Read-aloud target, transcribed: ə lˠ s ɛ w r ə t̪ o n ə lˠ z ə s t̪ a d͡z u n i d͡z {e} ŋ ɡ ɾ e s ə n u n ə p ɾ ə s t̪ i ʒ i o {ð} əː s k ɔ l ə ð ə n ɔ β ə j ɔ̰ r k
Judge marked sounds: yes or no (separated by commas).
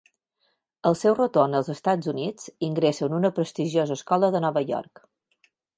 no, no